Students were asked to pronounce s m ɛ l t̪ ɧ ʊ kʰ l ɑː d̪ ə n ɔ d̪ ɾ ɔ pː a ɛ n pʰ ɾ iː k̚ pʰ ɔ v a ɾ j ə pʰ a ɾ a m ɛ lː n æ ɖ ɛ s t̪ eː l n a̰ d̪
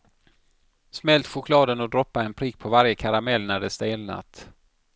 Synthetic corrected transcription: s m ɛ l t̪ ɧ ʊ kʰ l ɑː d̪ ə n ɔ d̪ ɾ ɔ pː a ɛ n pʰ ɾ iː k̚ pʰ ɔ v a ɾ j ə kʰ a ɾ a m ɛ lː n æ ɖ ɛ s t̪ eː l n a̰ t̪